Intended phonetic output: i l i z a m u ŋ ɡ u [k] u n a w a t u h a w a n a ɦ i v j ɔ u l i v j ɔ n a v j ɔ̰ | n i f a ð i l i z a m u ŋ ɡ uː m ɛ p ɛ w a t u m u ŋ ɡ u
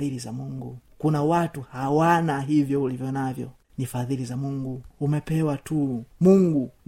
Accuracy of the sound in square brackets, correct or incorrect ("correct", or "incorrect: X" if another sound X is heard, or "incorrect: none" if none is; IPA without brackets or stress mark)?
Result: correct